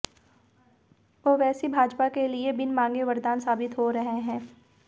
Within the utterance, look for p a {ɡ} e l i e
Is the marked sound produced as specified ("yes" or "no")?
no